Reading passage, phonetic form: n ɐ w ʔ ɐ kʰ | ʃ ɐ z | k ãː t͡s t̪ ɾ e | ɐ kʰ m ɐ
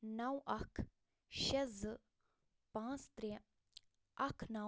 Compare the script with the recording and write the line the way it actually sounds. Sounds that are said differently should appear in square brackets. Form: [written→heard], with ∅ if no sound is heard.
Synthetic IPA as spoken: n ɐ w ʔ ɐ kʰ | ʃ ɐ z | [k→p] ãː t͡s t̪ ɾ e | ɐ kʰ [m→n] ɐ